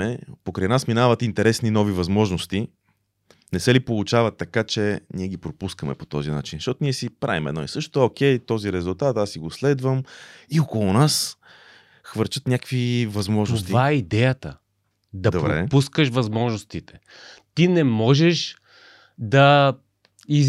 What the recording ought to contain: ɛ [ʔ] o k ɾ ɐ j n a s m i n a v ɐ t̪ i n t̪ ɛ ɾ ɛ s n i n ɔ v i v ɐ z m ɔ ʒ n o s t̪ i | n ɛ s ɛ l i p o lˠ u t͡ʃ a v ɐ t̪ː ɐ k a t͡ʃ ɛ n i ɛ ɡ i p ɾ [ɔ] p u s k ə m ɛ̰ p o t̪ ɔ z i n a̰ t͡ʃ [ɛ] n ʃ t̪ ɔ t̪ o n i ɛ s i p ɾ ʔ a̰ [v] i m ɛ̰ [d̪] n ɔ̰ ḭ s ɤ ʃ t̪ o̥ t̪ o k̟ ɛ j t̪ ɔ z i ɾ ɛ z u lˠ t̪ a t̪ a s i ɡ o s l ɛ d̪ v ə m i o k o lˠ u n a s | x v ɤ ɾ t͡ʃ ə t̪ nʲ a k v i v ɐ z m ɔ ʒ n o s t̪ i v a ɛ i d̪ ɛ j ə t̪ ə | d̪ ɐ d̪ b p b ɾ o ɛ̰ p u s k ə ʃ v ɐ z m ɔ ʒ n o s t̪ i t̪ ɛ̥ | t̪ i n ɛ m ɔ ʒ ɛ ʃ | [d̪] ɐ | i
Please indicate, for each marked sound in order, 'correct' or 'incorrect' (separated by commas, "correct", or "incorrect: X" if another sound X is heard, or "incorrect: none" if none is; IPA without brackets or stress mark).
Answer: incorrect: p, incorrect: o, incorrect: i, correct, correct, correct